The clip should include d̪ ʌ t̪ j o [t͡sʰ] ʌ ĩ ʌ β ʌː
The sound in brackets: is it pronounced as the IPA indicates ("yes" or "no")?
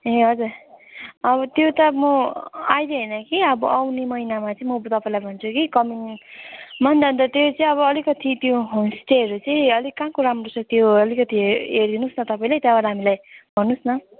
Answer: no